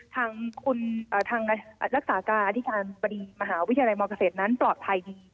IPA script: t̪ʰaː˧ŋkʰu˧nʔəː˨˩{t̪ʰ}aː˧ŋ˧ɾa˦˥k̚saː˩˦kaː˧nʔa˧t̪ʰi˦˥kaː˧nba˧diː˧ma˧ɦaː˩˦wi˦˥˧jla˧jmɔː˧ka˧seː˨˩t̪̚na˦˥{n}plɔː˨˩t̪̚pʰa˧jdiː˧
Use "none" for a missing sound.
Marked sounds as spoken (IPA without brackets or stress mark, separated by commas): t̪ʰ, n